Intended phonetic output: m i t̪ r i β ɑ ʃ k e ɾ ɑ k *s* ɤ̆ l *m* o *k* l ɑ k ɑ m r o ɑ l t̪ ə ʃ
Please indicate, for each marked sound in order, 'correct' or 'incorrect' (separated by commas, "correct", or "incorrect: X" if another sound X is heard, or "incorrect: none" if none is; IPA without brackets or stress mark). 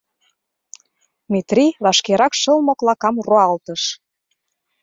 incorrect: ʃ, correct, correct